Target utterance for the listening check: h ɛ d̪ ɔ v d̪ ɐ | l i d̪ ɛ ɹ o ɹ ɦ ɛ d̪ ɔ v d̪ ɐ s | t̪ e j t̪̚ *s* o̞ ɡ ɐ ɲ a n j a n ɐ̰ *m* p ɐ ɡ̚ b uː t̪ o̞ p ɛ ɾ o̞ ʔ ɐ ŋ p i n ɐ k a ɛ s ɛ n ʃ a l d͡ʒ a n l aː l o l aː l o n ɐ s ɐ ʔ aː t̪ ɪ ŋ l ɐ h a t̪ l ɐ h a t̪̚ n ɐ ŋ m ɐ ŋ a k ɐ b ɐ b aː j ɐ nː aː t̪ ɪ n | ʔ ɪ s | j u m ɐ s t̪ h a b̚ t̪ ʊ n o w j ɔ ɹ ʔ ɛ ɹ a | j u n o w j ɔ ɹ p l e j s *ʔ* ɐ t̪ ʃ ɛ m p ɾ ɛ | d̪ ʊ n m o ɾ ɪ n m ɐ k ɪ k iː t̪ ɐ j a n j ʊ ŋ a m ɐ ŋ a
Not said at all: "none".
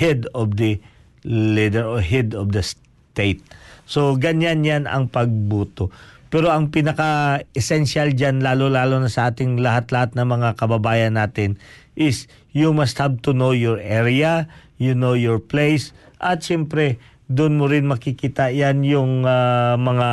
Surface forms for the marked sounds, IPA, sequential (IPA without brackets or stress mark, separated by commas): s, ŋ, ʔ